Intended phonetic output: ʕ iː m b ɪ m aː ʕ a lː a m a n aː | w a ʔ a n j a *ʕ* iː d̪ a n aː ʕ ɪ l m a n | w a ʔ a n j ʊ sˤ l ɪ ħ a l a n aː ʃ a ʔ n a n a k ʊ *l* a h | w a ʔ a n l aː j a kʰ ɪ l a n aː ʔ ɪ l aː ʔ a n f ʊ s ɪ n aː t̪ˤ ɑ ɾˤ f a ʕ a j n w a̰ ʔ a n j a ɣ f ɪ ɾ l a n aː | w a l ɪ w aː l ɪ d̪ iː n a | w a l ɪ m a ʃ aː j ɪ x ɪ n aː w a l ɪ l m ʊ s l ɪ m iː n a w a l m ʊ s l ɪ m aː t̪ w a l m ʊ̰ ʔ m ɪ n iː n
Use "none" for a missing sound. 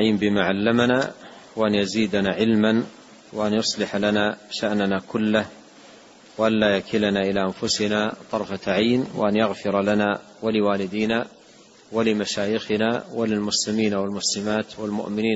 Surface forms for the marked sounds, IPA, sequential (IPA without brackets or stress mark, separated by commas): z, lː